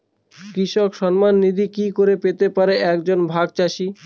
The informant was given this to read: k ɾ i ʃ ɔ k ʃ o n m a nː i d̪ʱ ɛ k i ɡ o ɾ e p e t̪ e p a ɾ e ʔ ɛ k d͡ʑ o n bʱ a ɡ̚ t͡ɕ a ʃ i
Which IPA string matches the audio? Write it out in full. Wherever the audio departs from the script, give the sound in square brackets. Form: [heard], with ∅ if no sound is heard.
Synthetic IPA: k ɾ i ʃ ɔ k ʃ [ɔ] n m a nː i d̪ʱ [i] k i [k] o ɾ e p e t̪ e p a ɾ e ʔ ɛ k d͡ʑ o n bʱ a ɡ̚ t͡ɕ a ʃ i